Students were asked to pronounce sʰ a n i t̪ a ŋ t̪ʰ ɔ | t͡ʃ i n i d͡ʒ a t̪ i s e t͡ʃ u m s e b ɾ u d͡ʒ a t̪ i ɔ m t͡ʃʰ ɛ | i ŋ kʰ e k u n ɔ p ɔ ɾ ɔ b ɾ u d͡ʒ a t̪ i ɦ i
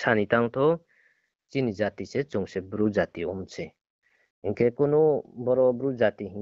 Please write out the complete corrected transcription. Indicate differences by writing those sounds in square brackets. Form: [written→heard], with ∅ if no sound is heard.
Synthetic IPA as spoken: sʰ a n i t̪ a ŋ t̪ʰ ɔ | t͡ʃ i n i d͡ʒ a t̪ i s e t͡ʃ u [m→ŋ] s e b ɾ u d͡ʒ a t̪ i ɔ m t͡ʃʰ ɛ | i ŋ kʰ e k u n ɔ [p→b] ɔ ɾ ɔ b ɾ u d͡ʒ a t̪ i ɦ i